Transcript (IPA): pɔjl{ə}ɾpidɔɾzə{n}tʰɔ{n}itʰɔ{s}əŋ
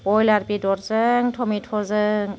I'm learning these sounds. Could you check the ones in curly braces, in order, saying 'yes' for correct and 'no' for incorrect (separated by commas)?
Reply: no, no, no, no